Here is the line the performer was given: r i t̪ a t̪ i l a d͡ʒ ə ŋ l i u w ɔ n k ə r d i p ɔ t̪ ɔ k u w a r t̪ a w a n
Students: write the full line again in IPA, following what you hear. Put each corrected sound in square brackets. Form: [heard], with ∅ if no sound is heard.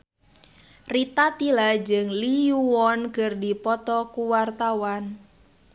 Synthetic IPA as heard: r i t̪ a t̪ i l a d͡ʒ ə ŋ l i u w ɔ n k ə r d i p ɔ t̪ ɔ k u w a r t̪ a w a n